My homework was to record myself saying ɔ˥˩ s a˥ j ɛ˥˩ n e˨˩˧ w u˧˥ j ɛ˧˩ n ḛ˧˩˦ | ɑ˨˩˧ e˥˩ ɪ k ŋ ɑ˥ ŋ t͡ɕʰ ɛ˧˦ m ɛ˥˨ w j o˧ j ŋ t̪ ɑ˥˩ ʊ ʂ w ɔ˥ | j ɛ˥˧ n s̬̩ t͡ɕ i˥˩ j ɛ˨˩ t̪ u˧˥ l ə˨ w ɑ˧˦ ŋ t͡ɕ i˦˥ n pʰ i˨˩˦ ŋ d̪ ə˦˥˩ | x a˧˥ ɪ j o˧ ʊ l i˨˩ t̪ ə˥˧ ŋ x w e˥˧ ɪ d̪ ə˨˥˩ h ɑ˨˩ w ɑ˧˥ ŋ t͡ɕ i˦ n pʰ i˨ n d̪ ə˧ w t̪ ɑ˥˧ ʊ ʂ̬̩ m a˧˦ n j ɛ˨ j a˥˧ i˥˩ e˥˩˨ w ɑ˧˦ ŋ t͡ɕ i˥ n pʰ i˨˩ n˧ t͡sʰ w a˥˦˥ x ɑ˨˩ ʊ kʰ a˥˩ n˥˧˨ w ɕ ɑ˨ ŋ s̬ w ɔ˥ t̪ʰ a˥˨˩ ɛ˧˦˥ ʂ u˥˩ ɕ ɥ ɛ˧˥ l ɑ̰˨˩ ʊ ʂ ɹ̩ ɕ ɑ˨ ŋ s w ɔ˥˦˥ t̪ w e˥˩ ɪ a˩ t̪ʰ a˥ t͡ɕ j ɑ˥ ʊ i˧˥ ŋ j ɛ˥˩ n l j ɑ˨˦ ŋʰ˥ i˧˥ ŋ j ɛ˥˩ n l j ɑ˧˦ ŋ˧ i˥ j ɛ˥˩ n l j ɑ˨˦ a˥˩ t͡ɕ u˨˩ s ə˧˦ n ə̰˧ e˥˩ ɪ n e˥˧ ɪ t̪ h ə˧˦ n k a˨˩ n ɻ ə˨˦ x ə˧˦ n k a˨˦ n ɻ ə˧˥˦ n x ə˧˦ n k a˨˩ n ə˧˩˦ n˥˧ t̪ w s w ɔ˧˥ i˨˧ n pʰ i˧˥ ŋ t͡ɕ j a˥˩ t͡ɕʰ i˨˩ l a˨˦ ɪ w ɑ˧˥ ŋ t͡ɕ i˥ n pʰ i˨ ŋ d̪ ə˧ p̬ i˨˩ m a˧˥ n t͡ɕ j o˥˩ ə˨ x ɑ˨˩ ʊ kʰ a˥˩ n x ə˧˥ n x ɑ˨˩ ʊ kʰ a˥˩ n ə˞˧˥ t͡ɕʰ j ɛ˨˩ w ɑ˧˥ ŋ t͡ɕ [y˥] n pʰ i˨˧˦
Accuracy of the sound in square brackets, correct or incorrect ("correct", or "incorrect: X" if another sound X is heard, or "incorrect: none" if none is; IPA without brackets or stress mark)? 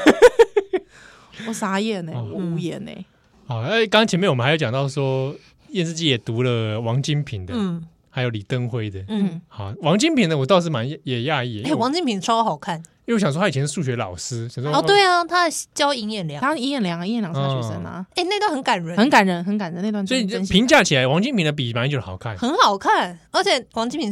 incorrect: i˥